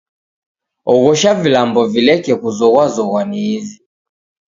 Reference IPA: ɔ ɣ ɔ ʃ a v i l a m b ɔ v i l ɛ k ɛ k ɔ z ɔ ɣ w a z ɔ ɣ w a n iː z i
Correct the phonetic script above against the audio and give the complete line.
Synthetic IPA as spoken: ɔ ɣ ɔ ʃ a v i l a m b ɔ v i l ɛ k ɛ k u z ɔ ɣ w a z ɔ ɣ w a n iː z i